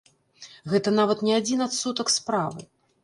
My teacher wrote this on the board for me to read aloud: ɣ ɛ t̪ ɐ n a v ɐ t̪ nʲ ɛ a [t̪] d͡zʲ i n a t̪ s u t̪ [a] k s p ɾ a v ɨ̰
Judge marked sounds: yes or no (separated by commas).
no, no